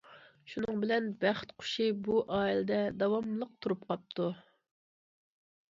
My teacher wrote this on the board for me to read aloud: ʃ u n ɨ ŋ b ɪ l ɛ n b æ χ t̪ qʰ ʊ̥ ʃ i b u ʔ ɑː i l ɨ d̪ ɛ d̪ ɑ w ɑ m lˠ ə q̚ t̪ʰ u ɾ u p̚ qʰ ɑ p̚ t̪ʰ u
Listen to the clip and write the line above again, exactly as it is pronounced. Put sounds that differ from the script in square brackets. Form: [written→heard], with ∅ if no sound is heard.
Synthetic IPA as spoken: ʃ u n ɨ ŋ b ɪ l ɛ n b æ χ t̪ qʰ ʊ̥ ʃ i b u ʔ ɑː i l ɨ d̪ ɛ d̪ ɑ w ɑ m lˠ ə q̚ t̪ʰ u ɾ u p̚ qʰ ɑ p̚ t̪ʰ u